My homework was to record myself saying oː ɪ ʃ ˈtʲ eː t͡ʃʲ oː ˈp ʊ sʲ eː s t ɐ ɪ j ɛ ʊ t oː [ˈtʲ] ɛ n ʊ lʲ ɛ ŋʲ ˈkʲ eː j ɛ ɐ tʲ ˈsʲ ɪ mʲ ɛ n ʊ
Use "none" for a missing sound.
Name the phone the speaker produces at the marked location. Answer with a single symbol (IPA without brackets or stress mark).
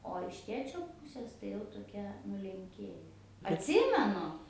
kʲ